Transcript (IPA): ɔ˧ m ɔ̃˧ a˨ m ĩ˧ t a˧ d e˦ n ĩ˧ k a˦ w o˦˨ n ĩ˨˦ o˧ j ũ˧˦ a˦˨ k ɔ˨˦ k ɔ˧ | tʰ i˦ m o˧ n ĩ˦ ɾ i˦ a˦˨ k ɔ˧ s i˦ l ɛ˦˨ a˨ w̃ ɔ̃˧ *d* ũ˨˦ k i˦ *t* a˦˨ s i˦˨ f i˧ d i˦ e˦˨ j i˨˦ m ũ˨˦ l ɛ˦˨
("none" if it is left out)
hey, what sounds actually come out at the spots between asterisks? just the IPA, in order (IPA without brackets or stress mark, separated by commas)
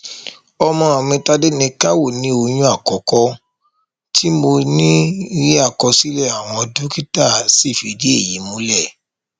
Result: d, t